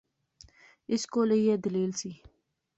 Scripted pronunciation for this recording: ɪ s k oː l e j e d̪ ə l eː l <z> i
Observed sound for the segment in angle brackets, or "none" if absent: s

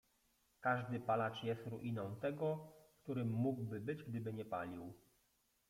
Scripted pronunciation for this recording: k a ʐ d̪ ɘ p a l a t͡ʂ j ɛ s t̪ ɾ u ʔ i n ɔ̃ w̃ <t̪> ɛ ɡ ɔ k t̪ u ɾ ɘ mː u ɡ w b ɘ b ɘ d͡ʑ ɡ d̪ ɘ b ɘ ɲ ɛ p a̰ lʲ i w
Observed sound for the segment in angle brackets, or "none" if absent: t̪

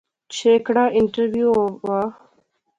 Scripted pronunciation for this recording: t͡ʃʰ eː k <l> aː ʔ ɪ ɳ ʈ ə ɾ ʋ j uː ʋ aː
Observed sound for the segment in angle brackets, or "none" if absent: ɽ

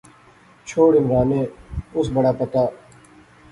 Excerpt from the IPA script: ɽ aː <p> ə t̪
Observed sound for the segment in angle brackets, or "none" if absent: p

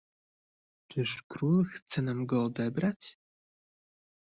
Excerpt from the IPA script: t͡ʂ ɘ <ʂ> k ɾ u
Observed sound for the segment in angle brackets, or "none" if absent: ʂ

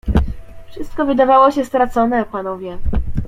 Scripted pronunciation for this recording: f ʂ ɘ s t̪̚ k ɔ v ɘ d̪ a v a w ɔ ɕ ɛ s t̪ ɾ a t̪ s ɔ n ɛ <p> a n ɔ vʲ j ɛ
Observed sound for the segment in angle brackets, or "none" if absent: p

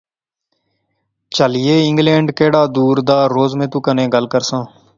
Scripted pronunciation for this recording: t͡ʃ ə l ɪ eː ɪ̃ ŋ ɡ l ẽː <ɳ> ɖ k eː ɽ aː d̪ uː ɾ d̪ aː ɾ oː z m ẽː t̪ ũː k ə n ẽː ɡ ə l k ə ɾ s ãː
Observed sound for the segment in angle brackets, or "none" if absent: ɳ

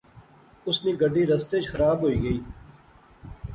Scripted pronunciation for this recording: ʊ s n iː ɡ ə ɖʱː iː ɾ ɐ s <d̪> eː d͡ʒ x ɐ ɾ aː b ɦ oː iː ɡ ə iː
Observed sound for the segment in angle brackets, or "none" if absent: t̪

